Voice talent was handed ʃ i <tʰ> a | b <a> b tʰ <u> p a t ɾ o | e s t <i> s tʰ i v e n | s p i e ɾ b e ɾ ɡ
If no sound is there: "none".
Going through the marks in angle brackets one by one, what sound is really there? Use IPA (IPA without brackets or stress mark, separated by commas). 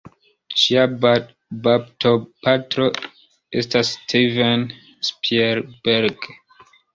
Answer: none, a, o, a